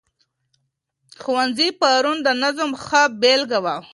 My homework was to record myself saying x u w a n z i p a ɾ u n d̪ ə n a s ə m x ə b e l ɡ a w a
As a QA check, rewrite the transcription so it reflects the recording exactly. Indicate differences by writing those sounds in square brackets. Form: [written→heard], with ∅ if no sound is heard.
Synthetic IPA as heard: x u w a n z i p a ɾ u n d̪ ə n a [s→z] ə m x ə b e l ɡ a w a